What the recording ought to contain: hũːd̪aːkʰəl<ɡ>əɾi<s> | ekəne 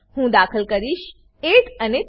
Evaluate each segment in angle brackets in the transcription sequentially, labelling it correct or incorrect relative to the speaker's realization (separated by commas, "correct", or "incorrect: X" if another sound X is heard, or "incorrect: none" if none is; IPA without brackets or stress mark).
incorrect: k, incorrect: ʃ